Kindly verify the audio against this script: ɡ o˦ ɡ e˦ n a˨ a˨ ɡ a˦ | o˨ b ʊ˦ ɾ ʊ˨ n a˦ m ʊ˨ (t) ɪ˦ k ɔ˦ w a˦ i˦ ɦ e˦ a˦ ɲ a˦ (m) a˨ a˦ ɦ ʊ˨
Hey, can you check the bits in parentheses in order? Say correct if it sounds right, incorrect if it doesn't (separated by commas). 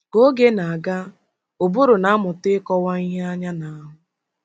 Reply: correct, incorrect